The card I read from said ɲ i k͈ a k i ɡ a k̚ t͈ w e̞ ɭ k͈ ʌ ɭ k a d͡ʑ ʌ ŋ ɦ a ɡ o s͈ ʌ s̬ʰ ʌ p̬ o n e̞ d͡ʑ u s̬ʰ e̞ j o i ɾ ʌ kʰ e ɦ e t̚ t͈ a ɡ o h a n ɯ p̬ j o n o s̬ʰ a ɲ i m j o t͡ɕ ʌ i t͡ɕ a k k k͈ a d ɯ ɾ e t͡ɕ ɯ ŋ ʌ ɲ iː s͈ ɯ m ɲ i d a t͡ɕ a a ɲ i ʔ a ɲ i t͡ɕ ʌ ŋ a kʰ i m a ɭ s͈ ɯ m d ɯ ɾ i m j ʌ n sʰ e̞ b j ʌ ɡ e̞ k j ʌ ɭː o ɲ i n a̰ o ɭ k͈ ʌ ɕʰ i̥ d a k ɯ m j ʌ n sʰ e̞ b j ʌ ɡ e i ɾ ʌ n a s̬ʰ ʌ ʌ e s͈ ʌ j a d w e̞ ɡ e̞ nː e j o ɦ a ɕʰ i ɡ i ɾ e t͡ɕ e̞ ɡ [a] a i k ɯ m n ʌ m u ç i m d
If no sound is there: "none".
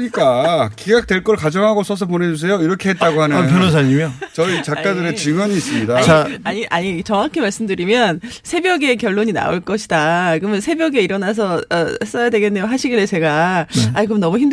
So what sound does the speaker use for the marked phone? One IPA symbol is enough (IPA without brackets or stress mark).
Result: a